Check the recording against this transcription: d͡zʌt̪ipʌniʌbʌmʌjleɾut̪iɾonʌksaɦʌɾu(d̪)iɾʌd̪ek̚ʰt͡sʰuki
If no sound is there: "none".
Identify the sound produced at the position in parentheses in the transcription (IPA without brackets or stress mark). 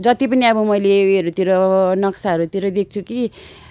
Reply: t̪